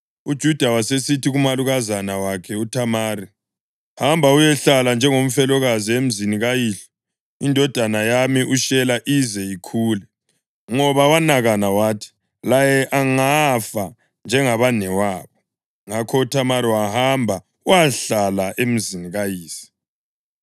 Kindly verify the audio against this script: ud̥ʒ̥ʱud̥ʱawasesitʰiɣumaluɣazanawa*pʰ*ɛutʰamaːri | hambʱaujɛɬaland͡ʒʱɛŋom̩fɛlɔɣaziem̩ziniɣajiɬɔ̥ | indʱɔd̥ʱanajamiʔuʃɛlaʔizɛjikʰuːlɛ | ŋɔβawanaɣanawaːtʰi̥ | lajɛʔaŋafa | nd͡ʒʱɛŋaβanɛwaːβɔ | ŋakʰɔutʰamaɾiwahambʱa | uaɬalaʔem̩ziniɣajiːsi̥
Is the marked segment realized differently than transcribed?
yes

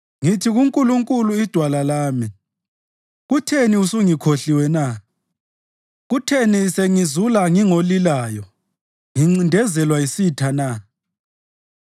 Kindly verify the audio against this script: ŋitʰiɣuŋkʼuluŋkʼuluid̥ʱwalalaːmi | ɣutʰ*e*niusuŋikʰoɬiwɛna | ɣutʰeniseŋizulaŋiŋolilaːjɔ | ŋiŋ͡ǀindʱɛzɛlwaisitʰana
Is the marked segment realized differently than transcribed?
no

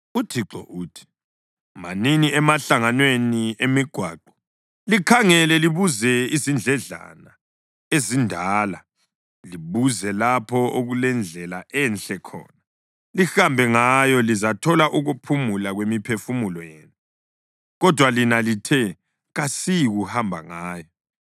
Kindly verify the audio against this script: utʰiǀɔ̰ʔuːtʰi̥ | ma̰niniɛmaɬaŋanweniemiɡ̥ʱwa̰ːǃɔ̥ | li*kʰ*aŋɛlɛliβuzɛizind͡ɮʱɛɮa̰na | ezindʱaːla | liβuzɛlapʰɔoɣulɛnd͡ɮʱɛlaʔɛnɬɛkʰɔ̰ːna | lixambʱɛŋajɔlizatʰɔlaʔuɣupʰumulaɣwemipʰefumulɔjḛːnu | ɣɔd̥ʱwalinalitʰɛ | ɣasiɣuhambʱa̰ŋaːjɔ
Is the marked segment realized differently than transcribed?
no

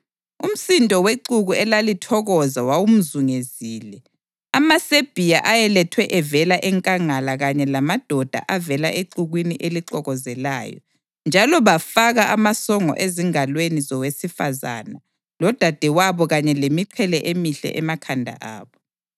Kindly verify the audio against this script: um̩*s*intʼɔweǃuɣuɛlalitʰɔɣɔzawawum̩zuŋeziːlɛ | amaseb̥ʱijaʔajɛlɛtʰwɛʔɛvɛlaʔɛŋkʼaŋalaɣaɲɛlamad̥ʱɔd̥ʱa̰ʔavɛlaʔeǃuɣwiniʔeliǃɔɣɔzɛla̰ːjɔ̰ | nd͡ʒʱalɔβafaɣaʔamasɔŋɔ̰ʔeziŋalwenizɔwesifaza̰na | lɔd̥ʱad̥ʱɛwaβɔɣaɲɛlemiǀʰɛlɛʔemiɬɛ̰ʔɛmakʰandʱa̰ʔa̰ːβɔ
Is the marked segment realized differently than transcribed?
no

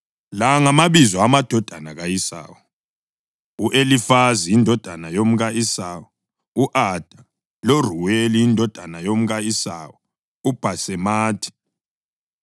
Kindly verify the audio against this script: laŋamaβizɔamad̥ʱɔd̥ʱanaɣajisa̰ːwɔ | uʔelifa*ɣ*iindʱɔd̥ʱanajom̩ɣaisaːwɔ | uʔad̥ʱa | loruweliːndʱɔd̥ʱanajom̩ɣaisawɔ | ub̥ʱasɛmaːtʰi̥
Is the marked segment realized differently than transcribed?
yes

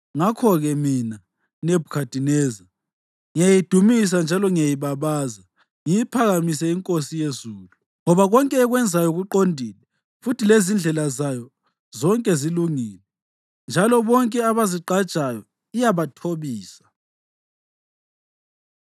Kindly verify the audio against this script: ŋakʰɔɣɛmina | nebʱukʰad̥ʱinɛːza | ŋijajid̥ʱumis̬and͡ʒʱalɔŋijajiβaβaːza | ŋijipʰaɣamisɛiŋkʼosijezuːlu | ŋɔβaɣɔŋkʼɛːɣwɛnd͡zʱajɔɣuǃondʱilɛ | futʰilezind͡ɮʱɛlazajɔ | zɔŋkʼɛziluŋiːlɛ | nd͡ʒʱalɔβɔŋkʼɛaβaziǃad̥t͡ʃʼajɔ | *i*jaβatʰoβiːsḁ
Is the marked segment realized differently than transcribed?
no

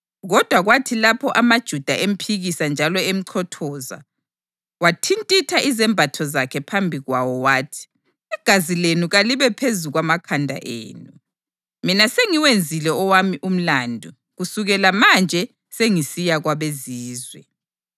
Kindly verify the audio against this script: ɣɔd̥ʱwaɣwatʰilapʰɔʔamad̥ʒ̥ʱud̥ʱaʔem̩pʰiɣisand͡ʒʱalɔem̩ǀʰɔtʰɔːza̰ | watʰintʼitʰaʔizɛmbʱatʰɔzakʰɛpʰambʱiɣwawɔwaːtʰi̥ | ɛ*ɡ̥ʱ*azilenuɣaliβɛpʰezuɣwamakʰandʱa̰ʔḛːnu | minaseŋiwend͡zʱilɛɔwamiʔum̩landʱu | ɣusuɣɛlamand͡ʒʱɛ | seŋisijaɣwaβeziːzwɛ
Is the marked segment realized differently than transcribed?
no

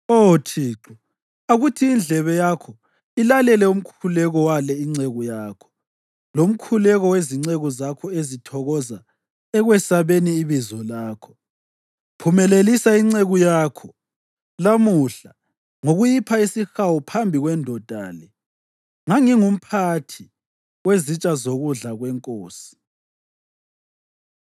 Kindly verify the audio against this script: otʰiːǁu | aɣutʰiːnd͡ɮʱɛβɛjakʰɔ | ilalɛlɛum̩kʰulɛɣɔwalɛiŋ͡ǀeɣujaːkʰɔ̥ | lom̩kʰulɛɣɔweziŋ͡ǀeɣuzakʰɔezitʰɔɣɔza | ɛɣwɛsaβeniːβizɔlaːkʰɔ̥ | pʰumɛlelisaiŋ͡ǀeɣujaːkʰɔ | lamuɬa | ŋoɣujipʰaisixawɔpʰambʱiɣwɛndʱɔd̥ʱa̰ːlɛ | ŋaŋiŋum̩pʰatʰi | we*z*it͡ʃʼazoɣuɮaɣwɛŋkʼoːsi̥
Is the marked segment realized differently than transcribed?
no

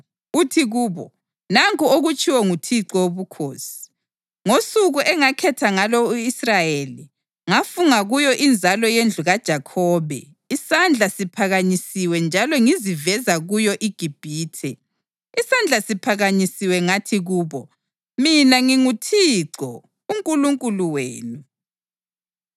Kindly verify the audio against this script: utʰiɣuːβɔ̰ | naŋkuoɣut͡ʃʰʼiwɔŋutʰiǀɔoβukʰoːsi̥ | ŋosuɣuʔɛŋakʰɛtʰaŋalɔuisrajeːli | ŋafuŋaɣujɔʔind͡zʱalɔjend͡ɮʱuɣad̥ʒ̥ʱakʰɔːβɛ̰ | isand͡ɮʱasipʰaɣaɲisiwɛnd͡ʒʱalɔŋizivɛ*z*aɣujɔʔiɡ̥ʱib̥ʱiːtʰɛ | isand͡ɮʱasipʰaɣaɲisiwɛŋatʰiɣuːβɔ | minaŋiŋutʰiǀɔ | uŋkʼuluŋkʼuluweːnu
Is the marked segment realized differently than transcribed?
no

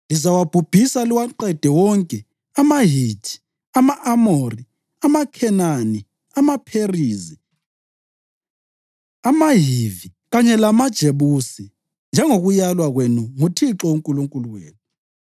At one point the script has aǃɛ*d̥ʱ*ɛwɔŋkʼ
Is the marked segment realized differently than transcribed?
no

